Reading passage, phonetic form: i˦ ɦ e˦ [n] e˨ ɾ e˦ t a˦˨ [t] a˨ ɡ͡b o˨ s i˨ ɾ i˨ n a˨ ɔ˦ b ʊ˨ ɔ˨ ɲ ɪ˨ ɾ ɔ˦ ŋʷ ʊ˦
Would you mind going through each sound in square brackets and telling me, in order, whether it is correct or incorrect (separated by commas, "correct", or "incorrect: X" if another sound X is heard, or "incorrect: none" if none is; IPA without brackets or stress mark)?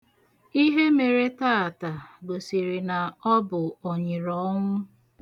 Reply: incorrect: m, correct